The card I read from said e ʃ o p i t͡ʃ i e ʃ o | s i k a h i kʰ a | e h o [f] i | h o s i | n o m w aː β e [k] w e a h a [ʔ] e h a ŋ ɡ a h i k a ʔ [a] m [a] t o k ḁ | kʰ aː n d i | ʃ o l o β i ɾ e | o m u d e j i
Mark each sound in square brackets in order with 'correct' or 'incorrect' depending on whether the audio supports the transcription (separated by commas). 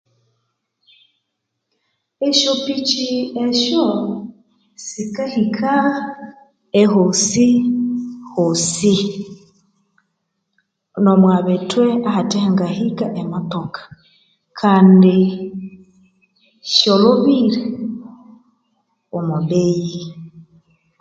incorrect, incorrect, incorrect, incorrect, correct